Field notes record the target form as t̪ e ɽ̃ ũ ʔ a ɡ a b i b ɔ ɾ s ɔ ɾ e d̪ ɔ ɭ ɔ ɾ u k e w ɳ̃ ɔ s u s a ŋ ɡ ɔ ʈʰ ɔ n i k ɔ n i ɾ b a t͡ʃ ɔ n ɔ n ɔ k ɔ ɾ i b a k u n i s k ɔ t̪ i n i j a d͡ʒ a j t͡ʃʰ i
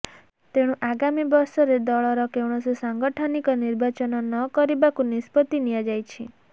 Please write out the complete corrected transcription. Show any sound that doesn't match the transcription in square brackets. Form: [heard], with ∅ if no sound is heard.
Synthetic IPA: t̪ e ɽ̃ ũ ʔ a ɡ a [m] i b ɔ ɾ s ɔ ɾ e d̪ ɔ ɭ ɔ ɾ [ɔ] k e w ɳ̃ ɔ s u s a ŋ ɡ ɔ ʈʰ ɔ n i k ɔ n i ɾ b a t͡ʃ ɔ n ɔ n ɔ k ɔ ɾ i b a k u n i s [p] ɔ t̪ i n i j a d͡ʒ a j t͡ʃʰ i